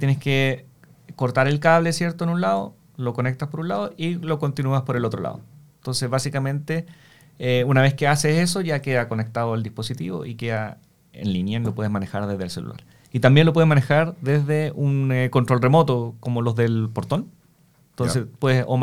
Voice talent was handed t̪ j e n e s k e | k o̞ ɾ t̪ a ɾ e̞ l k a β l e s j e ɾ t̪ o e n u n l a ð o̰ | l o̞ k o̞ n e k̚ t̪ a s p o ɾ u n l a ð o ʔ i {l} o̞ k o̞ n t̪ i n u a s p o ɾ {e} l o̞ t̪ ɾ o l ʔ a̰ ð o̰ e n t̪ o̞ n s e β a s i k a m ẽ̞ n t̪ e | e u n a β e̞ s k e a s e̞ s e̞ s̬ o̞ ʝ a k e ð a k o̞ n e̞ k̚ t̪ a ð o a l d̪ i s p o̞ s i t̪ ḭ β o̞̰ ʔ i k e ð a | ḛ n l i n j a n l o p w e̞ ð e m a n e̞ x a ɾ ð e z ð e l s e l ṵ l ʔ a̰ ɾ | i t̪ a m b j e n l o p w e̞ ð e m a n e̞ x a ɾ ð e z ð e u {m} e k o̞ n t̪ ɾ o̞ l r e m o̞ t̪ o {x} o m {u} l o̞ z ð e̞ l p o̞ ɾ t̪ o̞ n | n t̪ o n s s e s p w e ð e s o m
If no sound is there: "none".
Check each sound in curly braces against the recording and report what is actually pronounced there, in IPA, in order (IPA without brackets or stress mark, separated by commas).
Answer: l, e, n, k, o